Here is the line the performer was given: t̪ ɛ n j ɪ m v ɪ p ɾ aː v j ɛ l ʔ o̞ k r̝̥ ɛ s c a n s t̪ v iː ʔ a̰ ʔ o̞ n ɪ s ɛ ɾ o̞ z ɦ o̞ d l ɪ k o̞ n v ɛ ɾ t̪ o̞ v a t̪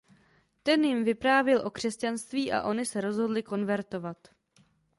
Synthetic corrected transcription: t̪ ɛ n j ɪ m v ɪ p ɾ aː v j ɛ l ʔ o̞ k r̝̥ ɛ s c a n s t̪ v iː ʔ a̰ ʔ o̞ n ɪ s ɛ ɾ o̞ z ɦ o̞ d l ɪ k o̞ n v ɛ ɾ t̪ o̞ v a t̪

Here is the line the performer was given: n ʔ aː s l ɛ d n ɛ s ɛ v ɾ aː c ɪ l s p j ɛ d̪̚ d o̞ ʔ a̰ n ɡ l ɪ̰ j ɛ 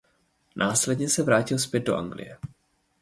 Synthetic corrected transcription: n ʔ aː s l ɛ d ɲ ɛ s ɛ v ɾ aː c ɪ l s p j ɛ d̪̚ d o̞ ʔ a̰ ŋ ɡ l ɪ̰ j ɛ

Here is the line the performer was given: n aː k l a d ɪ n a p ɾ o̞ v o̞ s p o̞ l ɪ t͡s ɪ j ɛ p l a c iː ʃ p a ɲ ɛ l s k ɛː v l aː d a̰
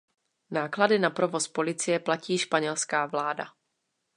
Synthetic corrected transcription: n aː k l a d ɪ n a p ɾ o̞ v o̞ s p o̞ l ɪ t͡s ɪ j ɛ p l a c iː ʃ p a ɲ ɛ l s k aː v l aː d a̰

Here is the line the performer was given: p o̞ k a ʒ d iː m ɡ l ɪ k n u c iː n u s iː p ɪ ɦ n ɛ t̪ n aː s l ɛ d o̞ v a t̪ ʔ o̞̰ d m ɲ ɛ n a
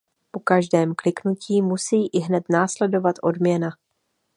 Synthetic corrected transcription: p o̞ k a ʒ d ɛː m k l ɪ k n u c iː m u s iː ʔ ɪ ɦ n ɛ t̪ n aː s l ɛ d o̞ v a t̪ ʔ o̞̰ d m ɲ ɛ n a

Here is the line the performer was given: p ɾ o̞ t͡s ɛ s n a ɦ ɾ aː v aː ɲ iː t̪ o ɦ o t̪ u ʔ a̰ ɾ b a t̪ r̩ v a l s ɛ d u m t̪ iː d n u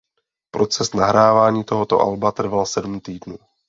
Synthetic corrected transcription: p ɾ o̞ t͡s ɛ s n a ɦ ɾ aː v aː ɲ iː t̪ o ɦ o t̪ o ʔ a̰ l b a t̪ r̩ v a l s ɛ d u m t̪ iː d n uː

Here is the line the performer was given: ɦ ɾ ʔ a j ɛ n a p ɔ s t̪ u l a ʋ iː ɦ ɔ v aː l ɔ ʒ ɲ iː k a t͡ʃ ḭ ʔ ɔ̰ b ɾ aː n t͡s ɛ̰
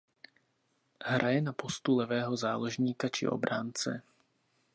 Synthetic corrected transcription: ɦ ɾ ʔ a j ɛ n a p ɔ s t̪ u l ɛ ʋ ɛː ɦ ɔ z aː l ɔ ʒ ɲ iː k a t͡ʃ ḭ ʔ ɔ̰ b ɾ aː n t͡s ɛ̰

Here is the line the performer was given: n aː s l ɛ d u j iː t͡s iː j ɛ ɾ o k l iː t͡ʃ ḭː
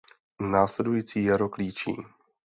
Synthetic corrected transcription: n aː s l ɛ d u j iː t͡s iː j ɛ ɾ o k l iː t͡ʃ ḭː

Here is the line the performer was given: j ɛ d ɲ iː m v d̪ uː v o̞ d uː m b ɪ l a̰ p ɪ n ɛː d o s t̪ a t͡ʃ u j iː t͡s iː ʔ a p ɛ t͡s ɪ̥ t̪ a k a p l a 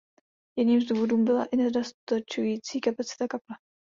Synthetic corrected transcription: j ɛ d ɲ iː m z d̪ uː v o̞ d uː m b ɪ l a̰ ʔ ɪ n ɛ d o s t̪ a t͡ʃ u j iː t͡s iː k a p a t͡s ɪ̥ t̪ a k a p l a

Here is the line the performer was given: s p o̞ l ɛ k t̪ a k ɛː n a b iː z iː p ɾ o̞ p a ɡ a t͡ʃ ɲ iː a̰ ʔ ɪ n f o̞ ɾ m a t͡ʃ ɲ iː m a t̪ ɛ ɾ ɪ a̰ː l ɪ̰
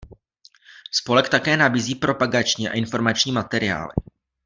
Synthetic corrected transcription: s p o̞ l ɛ k t̪ a k ɛː n a b iː z iː p ɾ o̞ p a ɡ a t͡ʃ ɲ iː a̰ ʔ ɪ n f o̞ ɾ m a t͡ʃ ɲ iː m a t̪ ɛ ɾ ɪ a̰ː l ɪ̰

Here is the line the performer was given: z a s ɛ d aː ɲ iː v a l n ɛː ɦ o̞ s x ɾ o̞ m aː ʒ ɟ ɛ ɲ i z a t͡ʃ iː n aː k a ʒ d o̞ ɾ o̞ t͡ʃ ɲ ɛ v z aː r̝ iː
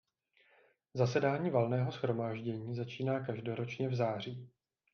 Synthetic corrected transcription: z a s ɛ d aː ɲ iː v a l n ɛː ɦ o̞ s x ɾ o̞ m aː ʒ ɟ ɛ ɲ iː z a t͡ʃ iː n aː k a ʒ d o̞ ɾ o̞ t͡ʃ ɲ ɛ v z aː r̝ iː

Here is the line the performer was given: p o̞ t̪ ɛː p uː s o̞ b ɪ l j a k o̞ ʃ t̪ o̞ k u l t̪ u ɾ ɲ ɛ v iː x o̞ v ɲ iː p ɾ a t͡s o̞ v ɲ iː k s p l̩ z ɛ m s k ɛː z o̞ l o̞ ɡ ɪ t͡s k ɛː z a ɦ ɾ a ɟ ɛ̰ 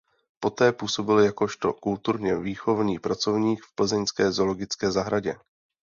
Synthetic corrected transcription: p o̞ t̪ ɛː p uː s o̞ b ɪ l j a k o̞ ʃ t̪ o̞ k u l t̪ u ɾ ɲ ɛ v iː x o̞ v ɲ iː p ɾ a t͡s o̞ v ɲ iː k f p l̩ z ɛ ɲ s k ɛː z o̞ l o̞ ɡ ɪ t͡s k ɛː z a ɦ ɾ a ɟ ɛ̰

